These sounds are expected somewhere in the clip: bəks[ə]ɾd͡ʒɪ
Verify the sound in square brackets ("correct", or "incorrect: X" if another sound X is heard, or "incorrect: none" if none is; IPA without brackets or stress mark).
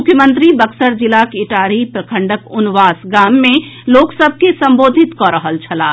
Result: correct